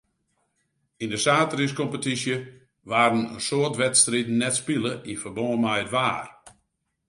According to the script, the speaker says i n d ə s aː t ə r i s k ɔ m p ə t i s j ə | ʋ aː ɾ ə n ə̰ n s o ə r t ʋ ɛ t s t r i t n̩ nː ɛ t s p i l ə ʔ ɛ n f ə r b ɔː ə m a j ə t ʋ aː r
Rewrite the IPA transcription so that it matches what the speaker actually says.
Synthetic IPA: i n d ə s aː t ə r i s k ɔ m p ə t i s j ə | ʋ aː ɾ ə n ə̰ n s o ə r t ʋ ɛ t s t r i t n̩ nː ɛ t s p i l ə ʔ i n f ə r b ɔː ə m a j ə t ʋ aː r